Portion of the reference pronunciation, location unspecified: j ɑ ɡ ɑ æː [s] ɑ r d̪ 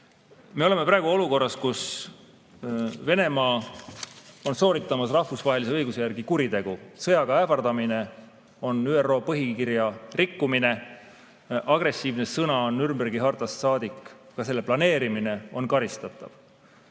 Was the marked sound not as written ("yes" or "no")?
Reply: yes